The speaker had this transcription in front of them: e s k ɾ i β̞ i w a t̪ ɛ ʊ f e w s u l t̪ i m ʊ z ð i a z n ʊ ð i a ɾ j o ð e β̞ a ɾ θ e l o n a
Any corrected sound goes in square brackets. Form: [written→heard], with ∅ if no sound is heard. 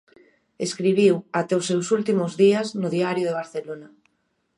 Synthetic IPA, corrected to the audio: e s k ɾ i β̞ i w a t̪ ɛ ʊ [f→s] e w s u l t̪ i m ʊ z ð i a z n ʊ ð i a ɾ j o ð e β̞ a ɾ θ e l o n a